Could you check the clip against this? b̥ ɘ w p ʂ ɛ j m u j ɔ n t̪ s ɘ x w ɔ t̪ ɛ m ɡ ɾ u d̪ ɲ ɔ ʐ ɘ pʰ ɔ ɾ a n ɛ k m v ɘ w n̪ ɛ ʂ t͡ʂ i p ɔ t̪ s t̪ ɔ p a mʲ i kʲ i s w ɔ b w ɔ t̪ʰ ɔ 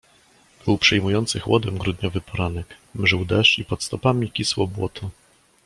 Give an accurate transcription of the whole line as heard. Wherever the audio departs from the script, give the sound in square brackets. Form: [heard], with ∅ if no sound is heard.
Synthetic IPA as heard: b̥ ɘ w p ʂ ɛ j m u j ɔ n t̪ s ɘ x w ɔ [d̪] ɛ m ɡ ɾ u d̪ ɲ ɔ [v] ɘ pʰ ɔ ɾ a n ɛ k m [ʐ] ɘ w [d̪] ɛ ʂ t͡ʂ i p ɔ t̪ s t̪ ɔ p a mʲ i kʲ i s w ɔ b w ɔ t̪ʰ ɔ